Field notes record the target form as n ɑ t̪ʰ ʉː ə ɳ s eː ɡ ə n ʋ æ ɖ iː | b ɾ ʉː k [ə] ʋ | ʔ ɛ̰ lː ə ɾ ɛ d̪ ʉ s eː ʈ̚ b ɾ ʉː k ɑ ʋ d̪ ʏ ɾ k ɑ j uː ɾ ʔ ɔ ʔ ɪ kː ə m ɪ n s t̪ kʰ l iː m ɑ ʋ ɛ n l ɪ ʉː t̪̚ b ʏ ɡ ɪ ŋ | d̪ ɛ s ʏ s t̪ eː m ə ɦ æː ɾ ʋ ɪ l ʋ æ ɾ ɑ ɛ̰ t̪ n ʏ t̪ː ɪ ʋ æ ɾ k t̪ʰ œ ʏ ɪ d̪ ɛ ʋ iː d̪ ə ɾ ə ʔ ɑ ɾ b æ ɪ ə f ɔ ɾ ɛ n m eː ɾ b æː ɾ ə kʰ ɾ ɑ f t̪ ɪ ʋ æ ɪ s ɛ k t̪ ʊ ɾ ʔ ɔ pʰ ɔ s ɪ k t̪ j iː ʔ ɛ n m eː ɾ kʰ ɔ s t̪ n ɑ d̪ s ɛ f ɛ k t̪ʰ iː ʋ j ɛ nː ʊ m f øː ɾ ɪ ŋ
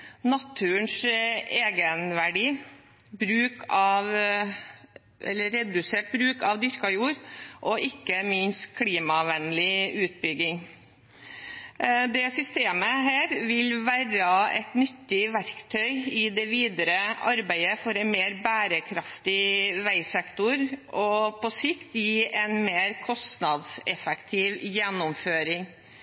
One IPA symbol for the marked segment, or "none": ɑ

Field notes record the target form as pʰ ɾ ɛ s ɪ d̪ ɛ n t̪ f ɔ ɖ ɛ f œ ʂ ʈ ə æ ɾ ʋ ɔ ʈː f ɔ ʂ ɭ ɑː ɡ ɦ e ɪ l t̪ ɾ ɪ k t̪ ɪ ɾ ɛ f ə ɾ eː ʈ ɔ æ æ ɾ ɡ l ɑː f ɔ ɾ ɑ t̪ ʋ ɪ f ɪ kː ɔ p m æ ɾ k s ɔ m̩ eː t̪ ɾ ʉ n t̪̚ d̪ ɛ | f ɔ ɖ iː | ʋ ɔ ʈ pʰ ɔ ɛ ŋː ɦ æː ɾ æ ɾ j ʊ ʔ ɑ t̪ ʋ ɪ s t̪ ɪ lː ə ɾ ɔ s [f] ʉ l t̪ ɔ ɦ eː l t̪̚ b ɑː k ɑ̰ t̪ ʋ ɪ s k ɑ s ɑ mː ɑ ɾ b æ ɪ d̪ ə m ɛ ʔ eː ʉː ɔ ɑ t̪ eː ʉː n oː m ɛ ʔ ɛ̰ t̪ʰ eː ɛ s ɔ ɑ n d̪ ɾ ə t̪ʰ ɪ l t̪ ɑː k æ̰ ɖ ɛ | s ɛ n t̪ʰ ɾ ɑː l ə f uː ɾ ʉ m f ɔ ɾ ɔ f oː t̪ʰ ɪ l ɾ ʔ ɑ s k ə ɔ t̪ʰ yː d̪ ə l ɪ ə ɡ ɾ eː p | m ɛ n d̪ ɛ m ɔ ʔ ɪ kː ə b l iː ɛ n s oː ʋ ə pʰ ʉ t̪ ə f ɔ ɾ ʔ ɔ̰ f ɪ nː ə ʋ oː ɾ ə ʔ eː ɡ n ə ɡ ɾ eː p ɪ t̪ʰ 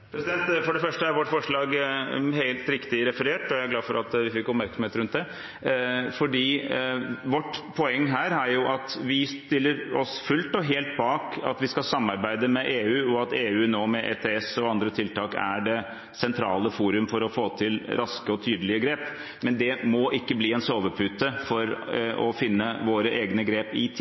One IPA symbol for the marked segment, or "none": f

